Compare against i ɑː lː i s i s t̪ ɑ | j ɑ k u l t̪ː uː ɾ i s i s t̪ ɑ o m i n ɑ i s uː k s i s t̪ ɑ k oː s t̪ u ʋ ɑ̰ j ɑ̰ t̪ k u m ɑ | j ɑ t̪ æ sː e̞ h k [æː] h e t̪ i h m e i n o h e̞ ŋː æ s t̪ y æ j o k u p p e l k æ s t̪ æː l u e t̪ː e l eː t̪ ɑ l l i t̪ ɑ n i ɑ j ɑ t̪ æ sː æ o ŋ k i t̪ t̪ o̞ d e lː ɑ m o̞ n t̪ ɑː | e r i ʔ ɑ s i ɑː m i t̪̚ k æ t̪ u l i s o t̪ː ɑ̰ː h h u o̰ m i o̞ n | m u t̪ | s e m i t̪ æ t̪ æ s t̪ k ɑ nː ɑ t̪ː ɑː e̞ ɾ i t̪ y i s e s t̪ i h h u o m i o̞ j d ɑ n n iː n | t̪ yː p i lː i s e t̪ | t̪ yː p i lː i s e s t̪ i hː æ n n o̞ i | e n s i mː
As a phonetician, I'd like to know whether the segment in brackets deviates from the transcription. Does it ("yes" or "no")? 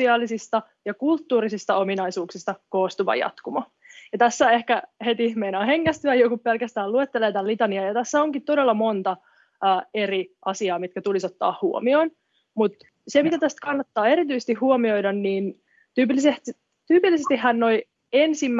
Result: yes